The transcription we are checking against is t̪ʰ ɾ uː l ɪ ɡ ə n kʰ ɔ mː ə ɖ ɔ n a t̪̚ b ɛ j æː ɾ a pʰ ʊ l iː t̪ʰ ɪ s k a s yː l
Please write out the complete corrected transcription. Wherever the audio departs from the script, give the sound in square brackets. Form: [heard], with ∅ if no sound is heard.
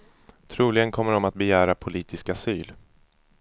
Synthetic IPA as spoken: t̪ʰ ɾ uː l ɪ ɡ ə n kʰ ɔ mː ə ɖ ɔ [m] a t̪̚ b ɛ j æː ɾ a pʰ ʊ l iː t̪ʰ ɪ s k a s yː l